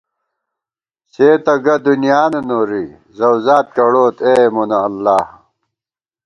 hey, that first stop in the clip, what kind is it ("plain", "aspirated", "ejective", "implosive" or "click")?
plain